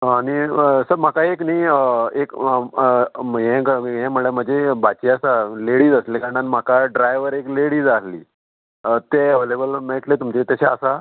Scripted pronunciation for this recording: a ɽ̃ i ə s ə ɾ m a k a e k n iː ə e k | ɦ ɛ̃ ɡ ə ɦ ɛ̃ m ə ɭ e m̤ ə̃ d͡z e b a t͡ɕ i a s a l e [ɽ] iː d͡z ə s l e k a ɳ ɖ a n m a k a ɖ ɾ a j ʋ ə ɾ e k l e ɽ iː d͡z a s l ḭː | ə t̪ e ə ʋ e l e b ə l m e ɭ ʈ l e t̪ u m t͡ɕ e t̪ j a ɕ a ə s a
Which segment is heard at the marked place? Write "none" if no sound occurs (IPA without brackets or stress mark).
ɽ